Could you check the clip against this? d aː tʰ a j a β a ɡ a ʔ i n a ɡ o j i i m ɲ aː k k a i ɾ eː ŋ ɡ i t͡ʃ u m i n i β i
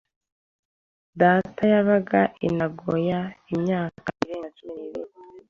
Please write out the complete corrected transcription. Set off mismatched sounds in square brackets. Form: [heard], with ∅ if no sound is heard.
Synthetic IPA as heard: d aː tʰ a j a β a ɡ a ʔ i n a ɡ o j [a] i m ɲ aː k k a i ɾ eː ŋ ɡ [a] t͡ʃ u m i n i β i